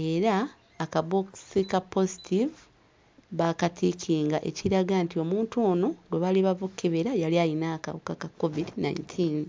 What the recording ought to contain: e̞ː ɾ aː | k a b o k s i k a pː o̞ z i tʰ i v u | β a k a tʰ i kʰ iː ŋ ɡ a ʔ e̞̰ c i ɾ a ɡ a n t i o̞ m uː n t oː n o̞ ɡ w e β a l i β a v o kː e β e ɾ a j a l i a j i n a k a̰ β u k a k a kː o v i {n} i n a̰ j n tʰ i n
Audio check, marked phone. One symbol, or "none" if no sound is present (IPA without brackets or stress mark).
d